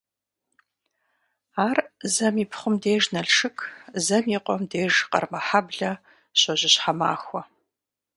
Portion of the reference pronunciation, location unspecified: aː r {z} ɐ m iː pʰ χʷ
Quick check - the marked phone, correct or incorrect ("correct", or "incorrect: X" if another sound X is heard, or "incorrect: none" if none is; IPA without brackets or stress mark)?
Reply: correct